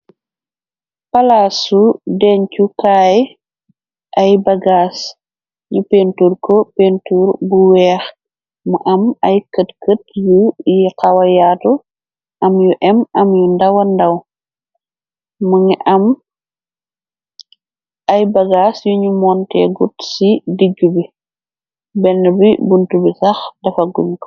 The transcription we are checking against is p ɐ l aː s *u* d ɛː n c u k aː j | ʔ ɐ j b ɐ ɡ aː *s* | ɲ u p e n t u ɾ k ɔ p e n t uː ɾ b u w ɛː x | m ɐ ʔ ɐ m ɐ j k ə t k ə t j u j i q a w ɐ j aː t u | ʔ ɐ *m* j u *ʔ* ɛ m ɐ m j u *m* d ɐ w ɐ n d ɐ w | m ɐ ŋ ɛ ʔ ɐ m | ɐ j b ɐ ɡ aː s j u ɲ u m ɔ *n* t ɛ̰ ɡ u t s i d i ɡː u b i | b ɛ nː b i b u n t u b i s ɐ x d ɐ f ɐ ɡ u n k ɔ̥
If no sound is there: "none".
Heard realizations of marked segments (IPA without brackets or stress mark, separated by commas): u, s, m, ʔ, n, n